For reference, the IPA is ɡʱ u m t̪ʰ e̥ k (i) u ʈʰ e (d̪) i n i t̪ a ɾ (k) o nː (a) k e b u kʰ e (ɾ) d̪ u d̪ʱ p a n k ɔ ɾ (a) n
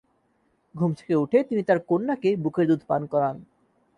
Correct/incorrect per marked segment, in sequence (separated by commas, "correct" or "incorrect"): incorrect, incorrect, correct, correct, correct, correct